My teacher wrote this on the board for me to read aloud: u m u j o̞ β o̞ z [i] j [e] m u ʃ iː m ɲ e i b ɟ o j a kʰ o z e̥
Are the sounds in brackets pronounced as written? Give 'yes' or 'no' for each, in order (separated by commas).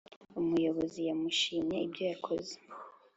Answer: yes, no